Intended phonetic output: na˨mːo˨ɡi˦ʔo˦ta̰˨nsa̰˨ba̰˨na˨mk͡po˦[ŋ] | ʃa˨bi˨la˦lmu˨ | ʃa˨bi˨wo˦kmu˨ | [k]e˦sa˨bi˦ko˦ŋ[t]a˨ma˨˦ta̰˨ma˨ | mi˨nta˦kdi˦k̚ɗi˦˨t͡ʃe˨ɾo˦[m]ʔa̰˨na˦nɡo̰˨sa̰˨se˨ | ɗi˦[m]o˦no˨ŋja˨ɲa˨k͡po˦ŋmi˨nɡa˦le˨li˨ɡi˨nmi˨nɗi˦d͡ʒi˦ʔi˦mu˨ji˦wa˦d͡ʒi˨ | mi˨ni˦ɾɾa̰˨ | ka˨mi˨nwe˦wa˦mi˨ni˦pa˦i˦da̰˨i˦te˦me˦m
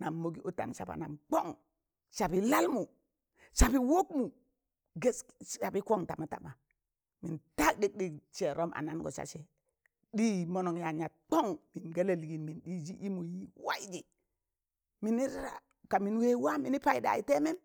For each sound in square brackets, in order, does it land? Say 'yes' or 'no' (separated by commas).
yes, no, yes, yes, yes